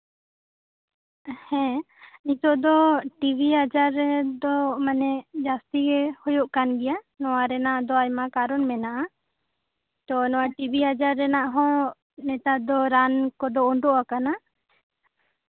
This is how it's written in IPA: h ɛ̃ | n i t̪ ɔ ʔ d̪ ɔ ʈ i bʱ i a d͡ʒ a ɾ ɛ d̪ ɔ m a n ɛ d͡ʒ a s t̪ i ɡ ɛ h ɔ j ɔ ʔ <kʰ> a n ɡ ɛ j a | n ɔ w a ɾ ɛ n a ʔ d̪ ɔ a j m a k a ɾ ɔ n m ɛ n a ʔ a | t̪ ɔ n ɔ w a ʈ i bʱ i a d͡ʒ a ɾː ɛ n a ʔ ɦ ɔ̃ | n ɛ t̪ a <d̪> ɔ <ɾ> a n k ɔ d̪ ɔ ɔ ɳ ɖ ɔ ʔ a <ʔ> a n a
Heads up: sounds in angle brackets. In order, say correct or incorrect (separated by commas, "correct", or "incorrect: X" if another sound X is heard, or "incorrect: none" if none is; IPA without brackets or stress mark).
incorrect: k, correct, correct, incorrect: k